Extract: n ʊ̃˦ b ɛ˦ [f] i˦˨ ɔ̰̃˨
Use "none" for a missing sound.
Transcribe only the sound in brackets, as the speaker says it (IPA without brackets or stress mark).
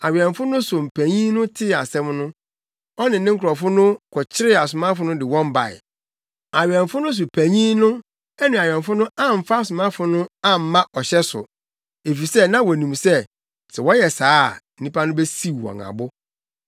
s